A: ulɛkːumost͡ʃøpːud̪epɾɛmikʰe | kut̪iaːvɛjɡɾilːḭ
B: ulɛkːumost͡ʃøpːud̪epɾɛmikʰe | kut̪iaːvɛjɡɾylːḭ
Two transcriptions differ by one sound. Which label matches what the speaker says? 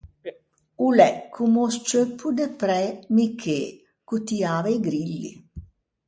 A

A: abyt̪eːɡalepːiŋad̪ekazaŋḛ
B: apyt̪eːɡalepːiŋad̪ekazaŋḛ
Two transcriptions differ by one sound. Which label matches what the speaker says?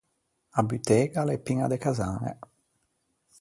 A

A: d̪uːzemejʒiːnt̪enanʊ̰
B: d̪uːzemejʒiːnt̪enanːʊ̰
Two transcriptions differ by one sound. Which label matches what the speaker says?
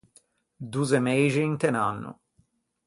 B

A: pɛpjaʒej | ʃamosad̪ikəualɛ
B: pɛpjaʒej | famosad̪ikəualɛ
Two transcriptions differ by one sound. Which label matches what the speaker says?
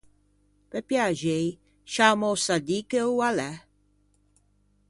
A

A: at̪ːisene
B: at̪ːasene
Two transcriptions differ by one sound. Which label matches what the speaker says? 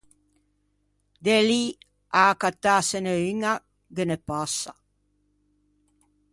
B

